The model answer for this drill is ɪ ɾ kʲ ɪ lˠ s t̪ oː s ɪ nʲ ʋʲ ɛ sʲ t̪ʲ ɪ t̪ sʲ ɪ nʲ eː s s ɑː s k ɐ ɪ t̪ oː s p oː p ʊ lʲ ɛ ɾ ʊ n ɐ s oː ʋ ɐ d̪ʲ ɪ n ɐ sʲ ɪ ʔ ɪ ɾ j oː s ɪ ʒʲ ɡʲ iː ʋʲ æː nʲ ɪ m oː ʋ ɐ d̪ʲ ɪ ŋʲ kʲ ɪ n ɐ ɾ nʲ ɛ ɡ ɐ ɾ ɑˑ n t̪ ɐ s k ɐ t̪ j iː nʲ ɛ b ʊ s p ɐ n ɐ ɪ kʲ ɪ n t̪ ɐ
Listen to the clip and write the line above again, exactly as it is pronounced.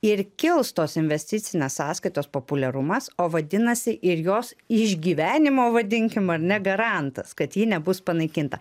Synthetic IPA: ɪ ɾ kʲ ɪ lˠ s t̪ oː s ɪ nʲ ʋʲ ɛ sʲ t̪ʲ ɪ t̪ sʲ ɪ nʲ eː s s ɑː s k ɐ ɪ t̪ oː s p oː p ʊ lʲ ɛ ɾ ʊ m ɐ s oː ʋ ɐ d̪ʲ ɪ n ɐ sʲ ɪ ʔ ɪ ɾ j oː s ɪ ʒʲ ɡʲ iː ʋʲ æː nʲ ɪ m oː ʋ ɐ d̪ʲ ɪ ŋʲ kʲ ɪ m ɐ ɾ nʲ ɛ ɡ ɐ ɾ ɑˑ n t̪ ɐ s k ɐ t̪ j iː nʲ ɛ b ʊ s p ɐ n ɐ ɪ kʲ ɪ n t̪ ɐ